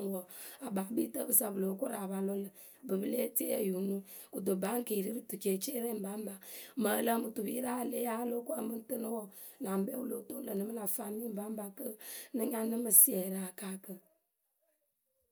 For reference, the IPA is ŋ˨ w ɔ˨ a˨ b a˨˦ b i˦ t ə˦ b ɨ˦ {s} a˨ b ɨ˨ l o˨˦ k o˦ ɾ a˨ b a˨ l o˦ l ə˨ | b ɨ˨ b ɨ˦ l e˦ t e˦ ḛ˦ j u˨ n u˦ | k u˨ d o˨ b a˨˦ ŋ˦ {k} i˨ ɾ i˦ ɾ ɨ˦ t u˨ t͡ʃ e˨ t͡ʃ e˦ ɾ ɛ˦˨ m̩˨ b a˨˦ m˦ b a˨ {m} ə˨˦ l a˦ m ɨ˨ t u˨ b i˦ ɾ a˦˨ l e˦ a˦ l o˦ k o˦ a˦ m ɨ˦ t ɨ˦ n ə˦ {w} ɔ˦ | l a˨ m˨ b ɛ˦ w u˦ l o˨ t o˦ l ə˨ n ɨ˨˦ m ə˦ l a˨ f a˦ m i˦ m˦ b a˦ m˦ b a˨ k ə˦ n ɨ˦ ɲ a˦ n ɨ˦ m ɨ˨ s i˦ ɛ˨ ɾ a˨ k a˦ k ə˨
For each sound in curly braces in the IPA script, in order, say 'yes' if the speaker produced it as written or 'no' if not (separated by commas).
yes, yes, yes, yes